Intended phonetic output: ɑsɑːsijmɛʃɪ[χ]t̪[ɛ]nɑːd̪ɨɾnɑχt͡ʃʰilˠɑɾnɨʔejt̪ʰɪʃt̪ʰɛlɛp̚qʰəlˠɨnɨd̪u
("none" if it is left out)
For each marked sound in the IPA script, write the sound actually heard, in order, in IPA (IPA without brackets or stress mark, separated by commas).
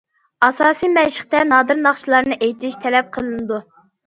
χ, ɛ